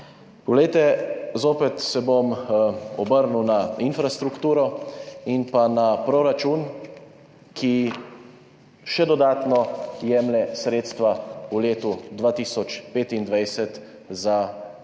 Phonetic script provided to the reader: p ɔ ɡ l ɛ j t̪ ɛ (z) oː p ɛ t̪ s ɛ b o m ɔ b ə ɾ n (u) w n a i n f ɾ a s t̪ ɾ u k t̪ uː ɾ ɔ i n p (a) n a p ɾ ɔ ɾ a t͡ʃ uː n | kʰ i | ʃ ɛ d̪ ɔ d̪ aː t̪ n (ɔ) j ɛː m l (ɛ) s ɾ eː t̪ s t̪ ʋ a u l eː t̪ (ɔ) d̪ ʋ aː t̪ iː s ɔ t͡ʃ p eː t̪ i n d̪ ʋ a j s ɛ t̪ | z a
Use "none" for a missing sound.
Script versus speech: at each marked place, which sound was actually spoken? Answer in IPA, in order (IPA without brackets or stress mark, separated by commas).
z, u, a, ɔ, ɛ, u